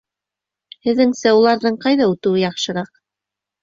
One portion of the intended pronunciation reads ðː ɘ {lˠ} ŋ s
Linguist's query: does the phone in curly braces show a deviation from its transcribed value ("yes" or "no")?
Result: yes